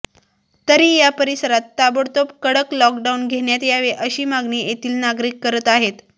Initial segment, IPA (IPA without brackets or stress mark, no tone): t̪